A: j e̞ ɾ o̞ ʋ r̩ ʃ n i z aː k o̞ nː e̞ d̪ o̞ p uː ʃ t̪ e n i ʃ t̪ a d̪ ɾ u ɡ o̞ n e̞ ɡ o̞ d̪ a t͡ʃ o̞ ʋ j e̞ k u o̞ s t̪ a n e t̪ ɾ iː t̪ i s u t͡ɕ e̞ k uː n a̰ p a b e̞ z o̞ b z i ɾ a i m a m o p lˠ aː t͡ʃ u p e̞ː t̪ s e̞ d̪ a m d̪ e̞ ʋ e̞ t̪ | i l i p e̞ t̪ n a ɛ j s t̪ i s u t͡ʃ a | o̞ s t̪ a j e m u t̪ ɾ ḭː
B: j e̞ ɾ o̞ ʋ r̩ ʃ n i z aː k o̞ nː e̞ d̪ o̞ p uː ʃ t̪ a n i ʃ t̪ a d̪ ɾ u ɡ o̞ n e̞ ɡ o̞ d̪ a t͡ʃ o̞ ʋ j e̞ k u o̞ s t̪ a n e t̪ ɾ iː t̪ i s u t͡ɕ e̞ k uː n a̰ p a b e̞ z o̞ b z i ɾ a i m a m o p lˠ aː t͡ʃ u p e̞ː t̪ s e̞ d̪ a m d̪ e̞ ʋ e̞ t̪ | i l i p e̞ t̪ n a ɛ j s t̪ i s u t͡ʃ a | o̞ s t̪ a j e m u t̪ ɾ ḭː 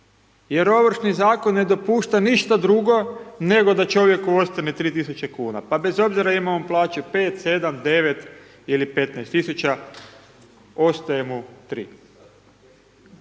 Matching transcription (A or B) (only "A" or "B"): B